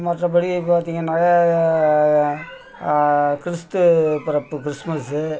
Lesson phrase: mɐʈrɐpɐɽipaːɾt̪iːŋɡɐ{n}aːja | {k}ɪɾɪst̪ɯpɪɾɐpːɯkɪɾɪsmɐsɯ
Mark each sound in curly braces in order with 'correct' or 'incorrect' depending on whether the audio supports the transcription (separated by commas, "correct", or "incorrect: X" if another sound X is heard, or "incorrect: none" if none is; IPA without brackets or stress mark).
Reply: correct, correct